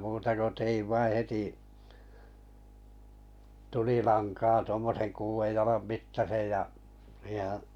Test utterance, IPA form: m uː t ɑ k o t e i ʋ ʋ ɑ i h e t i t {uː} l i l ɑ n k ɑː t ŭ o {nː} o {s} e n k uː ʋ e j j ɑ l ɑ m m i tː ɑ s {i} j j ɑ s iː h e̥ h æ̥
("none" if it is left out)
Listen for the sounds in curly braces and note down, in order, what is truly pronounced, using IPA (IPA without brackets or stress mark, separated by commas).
u, mː, s, e